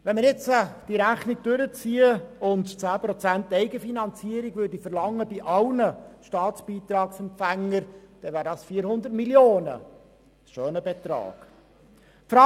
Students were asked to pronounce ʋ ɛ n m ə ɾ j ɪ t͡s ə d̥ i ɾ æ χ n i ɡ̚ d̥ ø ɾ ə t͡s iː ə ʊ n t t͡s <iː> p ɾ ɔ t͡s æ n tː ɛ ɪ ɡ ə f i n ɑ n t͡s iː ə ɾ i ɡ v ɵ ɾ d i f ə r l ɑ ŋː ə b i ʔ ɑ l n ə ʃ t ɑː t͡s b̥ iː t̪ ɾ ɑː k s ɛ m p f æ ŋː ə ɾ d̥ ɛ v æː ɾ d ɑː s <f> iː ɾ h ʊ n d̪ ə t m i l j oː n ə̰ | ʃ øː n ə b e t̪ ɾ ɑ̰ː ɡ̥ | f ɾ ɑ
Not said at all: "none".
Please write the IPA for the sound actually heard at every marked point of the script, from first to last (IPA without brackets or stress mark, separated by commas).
æː, f